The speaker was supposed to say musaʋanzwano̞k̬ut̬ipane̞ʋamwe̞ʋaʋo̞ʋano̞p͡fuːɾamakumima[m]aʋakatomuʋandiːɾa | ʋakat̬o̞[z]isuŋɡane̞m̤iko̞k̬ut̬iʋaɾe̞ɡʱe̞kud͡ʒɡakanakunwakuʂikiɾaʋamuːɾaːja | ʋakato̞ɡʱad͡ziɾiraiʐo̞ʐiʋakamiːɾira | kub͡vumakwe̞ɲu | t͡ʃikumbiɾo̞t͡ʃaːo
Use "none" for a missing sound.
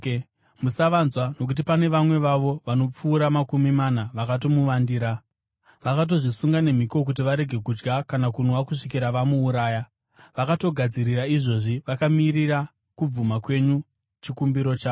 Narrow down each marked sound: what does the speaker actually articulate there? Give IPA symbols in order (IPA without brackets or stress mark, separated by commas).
n, ʐ